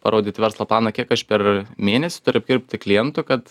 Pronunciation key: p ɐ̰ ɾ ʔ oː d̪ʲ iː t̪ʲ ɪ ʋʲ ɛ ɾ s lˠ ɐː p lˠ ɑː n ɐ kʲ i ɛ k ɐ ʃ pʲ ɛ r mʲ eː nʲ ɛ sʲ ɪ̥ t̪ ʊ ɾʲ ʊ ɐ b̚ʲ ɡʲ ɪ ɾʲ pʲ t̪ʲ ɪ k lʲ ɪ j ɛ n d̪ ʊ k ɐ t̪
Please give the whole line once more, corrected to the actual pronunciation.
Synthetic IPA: p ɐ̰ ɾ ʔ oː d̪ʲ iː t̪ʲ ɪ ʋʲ ɛ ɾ s lˠ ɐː p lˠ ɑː n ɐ kʲ i ɛ k ɐ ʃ pʲ ɛ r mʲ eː nʲ ɛ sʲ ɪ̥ t̪ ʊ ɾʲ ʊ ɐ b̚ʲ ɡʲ ɪ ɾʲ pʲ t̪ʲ ɪ k lʲ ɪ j ɛ n t̪ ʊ k ɐ t̪